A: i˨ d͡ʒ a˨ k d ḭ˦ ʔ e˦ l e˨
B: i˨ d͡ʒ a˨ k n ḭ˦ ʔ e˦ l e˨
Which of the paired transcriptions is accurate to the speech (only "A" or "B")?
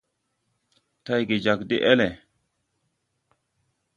A